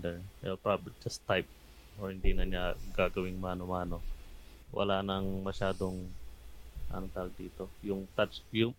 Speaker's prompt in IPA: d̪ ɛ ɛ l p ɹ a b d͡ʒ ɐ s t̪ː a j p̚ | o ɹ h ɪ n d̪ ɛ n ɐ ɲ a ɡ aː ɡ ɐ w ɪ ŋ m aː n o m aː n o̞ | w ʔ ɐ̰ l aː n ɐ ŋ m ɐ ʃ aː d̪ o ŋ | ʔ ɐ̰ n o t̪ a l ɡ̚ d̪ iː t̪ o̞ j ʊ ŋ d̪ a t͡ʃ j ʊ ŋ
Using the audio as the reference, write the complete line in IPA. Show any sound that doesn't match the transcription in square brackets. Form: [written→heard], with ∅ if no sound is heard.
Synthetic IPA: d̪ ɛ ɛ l p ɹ a b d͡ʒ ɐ s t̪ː a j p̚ | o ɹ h ɪ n d̪ [ɛ→i] n ɐ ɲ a ɡ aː ɡ ɐ w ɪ ŋ m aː n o m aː n o̞ | w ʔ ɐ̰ l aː n ɐ ŋ m ɐ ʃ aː d̪ o ŋ | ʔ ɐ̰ n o t̪ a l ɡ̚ d̪ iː t̪ o̞ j ʊ ŋ [d̪→t̪] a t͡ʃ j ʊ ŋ